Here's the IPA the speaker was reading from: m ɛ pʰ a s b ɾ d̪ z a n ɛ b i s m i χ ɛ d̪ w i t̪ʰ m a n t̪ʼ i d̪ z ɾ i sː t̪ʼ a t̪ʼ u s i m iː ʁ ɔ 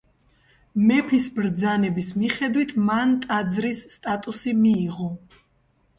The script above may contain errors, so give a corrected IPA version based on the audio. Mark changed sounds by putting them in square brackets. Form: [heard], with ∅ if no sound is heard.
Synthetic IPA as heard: m ɛ pʰ [i] s b ɾ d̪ z a n ɛ b i s m i χ ɛ d̪ w i t̪ʰ m a n t̪ʼ [a] d̪ z ɾ i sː t̪ʼ a t̪ʼ u s i m iː ʁ ɔ